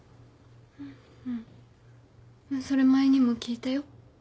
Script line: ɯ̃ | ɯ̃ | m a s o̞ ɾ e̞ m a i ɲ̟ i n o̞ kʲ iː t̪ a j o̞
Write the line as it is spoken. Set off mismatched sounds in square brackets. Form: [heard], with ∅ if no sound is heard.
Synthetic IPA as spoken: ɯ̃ | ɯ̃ | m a s o̞ ɾ e̞ m a [e] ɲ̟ i [m] o̞ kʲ iː t̪ a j o̞